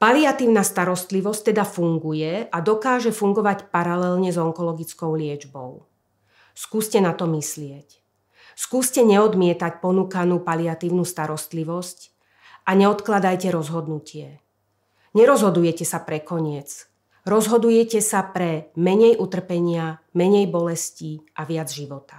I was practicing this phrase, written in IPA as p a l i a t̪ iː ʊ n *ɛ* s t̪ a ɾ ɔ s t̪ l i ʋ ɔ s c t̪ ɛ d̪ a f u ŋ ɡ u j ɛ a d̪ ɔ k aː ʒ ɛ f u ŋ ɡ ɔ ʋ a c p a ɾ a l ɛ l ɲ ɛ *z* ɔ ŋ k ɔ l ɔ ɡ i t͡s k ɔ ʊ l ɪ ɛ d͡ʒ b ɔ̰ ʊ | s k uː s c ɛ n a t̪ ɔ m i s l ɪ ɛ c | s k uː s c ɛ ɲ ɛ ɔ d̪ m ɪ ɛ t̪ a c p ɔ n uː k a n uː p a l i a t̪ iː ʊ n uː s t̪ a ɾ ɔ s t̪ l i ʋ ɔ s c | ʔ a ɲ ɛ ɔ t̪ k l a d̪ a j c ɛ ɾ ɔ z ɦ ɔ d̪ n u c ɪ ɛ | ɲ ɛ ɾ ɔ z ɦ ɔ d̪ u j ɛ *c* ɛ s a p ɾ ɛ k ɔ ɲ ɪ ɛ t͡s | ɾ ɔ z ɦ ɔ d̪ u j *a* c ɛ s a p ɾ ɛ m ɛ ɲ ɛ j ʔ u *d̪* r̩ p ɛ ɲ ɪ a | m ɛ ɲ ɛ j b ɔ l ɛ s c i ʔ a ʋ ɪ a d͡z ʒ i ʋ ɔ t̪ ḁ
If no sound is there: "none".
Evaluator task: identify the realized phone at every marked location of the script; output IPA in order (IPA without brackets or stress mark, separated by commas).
a, z, c, ɛ, t̪